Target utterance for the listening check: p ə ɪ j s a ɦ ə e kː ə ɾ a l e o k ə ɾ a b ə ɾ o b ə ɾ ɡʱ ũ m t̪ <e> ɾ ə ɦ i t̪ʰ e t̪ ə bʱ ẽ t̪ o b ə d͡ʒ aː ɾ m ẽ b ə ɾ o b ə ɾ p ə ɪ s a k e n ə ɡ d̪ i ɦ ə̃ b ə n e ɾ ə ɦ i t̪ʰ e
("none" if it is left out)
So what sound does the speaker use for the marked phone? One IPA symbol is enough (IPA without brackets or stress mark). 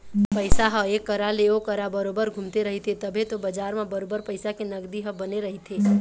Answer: e